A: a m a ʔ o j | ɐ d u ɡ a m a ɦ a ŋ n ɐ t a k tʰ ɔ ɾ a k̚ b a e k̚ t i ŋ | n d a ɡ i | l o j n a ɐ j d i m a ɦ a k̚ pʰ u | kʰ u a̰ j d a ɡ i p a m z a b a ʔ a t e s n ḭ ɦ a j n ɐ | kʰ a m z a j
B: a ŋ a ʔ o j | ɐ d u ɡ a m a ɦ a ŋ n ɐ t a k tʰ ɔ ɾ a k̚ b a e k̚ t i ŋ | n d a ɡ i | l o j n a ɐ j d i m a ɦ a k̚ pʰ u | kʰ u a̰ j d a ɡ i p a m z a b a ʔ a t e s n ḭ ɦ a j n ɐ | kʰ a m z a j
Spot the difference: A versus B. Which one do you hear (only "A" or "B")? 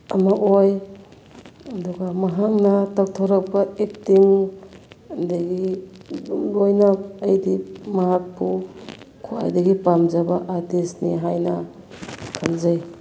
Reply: A